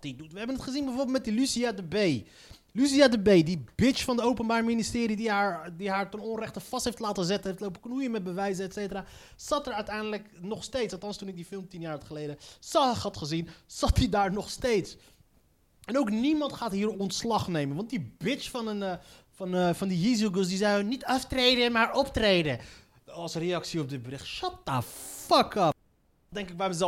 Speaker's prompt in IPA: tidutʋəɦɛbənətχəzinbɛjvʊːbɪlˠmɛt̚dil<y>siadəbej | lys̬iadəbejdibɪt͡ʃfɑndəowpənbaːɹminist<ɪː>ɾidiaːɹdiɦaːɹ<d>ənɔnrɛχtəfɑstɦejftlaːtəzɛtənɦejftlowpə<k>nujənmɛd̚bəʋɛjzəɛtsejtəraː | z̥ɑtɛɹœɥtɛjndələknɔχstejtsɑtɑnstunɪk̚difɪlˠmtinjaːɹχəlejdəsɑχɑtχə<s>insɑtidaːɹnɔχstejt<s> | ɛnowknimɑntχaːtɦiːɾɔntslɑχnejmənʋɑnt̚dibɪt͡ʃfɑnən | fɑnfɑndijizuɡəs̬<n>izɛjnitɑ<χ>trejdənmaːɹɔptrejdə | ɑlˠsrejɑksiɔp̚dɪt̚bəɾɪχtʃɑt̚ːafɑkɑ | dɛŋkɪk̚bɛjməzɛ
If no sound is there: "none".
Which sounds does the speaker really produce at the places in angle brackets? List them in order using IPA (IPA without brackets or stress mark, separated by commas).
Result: y, ɪː, t, k, z, s, d, f